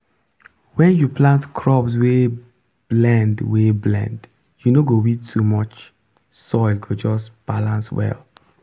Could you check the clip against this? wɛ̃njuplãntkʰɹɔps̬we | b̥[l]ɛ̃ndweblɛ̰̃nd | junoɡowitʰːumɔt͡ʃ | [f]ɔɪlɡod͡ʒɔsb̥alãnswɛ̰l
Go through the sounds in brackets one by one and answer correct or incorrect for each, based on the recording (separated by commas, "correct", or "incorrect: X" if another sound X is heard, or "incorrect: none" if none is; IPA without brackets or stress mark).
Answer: correct, incorrect: s